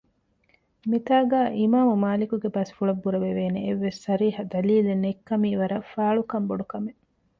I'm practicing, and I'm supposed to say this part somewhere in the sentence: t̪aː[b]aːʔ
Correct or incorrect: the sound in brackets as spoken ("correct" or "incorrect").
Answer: incorrect